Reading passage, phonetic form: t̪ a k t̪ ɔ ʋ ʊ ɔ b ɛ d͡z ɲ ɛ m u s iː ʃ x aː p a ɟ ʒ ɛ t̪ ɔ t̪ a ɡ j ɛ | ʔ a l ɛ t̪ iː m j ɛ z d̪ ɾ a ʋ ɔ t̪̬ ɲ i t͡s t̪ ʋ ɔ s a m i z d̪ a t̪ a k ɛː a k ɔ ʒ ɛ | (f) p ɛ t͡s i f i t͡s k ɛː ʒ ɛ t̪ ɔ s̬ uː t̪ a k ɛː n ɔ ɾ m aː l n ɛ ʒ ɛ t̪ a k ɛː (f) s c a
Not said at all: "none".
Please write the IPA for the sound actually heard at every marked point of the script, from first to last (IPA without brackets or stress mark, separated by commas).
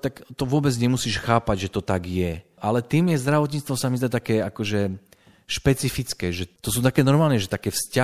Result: ʃ, f